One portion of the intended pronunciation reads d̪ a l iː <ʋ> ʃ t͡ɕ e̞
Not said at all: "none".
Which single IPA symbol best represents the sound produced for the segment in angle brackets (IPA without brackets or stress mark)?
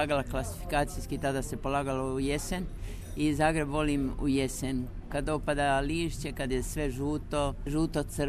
none